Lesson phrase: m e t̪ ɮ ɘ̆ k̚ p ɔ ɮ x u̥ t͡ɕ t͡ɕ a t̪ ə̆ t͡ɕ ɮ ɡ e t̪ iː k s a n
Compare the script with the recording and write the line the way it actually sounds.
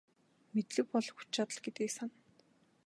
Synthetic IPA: m e t̪ ɮ ɘ̆ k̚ p ɔ ɮ x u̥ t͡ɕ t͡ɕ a t̪ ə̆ ɮ ɡ e t̪ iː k s a n

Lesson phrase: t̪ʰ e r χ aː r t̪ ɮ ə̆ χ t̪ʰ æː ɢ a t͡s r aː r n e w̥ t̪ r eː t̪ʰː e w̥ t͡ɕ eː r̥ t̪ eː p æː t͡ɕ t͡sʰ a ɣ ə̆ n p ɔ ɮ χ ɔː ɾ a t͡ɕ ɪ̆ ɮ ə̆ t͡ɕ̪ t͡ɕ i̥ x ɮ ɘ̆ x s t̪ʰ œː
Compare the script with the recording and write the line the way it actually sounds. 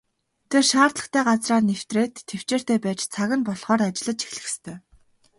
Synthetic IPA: t̪ʰ e r ʃ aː r t̪ ɮ ə̆ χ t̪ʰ æː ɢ a t͡s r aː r n e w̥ t̪ r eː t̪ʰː e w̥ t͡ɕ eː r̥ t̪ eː p æː t͡ɕ t͡sʰ a ɣ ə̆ n p ɔ ɮ χ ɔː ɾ a t͡ɕ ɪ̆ ɮ ə̆ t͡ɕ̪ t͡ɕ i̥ x ɮ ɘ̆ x s t̪ʰ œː

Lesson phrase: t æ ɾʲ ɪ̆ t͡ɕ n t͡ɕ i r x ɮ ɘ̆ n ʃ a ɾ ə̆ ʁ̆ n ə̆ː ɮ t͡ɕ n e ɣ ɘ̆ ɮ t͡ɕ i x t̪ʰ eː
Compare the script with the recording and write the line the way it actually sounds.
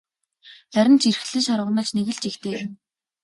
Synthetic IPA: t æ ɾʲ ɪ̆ n t͡ɕ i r x ɮ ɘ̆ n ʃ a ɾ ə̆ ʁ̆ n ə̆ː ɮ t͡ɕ n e ɣ ɘ̆ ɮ t͡ɕ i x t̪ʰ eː

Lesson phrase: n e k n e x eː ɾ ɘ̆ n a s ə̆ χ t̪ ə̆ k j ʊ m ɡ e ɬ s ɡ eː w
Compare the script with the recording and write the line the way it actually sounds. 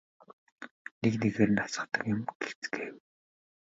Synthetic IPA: n e k n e ɣ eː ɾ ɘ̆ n a s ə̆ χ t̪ ə̆ k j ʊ m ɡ e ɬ t͡s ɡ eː w

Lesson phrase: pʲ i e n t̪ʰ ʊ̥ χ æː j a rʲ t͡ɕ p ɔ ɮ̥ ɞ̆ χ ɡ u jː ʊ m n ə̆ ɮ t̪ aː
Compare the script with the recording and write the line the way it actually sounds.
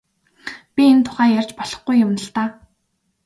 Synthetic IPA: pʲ i e n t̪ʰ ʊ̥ χ æː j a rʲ t͡ɕ p ɔ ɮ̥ ɞ̆ χ ɡ u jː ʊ m n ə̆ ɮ t̪ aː

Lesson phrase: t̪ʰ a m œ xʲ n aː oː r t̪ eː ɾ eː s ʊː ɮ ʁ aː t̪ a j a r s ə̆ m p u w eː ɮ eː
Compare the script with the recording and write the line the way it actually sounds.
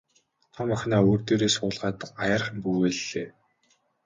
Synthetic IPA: t̪ʰ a m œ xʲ n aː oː r t̪ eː ɾ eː s ʊː ɮ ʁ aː t̪ a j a r χ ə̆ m p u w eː ɮ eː

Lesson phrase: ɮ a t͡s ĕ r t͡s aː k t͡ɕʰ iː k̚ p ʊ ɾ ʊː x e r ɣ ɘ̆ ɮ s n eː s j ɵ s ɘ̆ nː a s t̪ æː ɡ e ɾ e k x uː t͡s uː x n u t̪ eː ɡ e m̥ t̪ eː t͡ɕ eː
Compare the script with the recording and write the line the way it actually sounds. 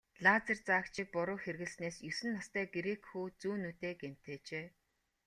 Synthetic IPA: ɮ a t͡s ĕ r t͡s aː k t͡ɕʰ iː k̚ p ʊ ɾ ʊː x e r ɣ ɘ̆ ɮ s n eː s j ɵ s ɘ̆ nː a s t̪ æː ɡ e ɾ e k x uː t͡s uː n u t̪ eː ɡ e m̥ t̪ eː t͡ɕ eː

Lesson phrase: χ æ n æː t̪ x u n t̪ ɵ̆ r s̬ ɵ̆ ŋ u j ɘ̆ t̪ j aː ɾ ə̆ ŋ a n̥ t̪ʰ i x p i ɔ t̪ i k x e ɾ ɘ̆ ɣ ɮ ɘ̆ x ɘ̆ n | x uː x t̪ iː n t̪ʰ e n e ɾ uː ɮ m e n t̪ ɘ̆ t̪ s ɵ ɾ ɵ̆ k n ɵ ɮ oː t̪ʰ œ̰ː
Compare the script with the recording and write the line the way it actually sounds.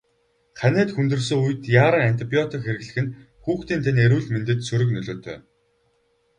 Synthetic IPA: χ æ n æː t̪ x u n t̪ ɵ̆ r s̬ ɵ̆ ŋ u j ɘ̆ t̪ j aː ɾ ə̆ ŋ a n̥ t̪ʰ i p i ɔ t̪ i k x e ɾ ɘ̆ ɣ ɮ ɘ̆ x ɘ̆ n | x uː x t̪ iː n t̪ʰ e n e ɾ uː ɮ m e n t̪ ɘ̆ t̪ s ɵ ɾ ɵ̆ k n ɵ ɮ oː t̪ʰ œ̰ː

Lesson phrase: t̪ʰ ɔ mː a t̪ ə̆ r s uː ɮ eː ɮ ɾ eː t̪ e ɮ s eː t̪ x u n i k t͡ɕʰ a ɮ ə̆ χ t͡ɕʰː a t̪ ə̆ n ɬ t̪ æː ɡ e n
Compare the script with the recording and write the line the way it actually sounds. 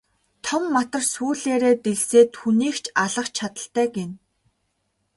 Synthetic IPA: t̪ʰ ɔ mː a t̪ ə̆ r s uː ɮ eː ɾ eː t̪ e ɮ s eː t̪ x u n iː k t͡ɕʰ a ɮ ə̆ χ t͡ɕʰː a t̪ ə̆ ɬ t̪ æː ɡ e n

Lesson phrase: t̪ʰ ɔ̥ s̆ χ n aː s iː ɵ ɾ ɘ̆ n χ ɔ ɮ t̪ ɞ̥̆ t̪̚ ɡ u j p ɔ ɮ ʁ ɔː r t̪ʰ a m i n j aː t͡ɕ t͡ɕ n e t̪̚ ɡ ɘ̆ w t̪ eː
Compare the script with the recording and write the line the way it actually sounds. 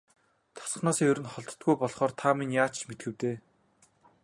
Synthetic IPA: t̪ʰ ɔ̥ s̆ χ n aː s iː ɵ ɾ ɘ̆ n χ ɔ ɮ t̪ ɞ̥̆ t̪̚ ɡ u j p ɔ ɮ χ ɔː r t̪ʰ a m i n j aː t͡ɕ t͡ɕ m e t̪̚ ɡ ɘ̆ w t̪ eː

